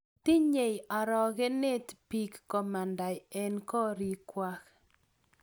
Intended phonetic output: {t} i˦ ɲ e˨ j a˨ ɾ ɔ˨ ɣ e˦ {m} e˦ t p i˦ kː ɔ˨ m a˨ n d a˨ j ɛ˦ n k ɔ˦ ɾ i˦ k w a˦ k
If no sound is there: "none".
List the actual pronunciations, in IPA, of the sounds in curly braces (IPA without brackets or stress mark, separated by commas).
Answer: t, n